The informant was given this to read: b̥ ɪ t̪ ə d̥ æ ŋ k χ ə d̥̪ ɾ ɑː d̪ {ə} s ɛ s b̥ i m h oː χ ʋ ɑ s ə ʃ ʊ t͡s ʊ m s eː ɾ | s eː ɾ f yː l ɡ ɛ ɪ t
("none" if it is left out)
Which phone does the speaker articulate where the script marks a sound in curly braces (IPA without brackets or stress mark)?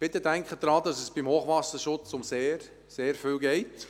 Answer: ɑ